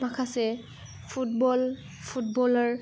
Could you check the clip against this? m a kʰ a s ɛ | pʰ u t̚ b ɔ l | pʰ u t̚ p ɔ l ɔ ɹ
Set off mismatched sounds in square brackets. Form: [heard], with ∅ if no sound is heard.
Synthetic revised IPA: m a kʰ a s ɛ | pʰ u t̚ b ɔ l | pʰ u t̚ [b] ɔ l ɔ ɹ

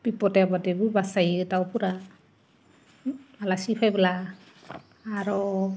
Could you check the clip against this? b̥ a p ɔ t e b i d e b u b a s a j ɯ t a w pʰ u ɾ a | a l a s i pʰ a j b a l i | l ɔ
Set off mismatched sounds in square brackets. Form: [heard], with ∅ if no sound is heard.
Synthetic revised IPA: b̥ [i] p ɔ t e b [a] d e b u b a s a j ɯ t a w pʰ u ɾ a | a l a s i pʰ a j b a l [a] | [ɾ] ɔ

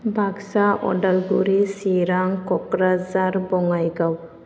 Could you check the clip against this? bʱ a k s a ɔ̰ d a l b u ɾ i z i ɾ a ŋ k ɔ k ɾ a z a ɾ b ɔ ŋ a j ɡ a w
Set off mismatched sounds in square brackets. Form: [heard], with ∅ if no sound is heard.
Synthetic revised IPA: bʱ a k s a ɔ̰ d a l [ɡ] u ɾ i [s] i ɾ a ŋ k ɔ k ɾ a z a ɾ b ɔ ŋ a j ɡ a w

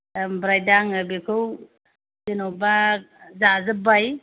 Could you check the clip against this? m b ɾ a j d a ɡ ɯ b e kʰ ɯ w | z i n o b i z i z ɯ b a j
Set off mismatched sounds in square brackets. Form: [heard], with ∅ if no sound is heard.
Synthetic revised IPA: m b ɾ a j d a [ŋ] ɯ b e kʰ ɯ w | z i n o b [a] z [a] z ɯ b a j

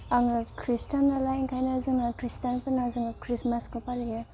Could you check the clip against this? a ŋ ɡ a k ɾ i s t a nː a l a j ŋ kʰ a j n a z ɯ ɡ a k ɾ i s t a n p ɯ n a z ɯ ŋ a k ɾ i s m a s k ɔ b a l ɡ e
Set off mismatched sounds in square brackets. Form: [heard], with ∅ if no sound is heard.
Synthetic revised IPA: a ŋ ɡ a k ɾ i s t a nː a l a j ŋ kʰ a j n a z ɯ [ŋ] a k ɾ i s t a n p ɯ n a z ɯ ŋ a k ɾ i s m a s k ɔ [p] a l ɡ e

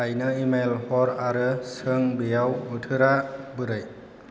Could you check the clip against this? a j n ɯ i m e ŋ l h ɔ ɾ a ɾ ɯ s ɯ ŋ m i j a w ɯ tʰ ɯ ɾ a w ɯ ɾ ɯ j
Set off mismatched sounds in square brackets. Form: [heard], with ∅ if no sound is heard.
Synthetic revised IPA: a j n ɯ i m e [∅] l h ɔ ɾ a ɾ ɯ s ɯ ŋ [b] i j a w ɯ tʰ ɯ ɾ a [b] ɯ ɾ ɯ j

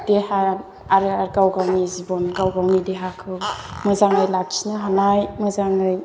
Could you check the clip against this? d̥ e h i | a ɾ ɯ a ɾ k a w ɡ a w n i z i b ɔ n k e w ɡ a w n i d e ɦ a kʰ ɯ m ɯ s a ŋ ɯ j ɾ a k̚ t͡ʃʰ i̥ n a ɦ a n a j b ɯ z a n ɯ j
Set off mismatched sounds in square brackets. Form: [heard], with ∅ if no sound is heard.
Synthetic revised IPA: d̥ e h [a] | a ɾ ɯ a ɾ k a w ɡ a w n i z i b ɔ n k [a] w ɡ a w n i d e ɦ a kʰ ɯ m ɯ [z] a ŋ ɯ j [l] a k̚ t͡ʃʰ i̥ n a ɦ a n a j [m] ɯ z a [ŋ] ɯ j

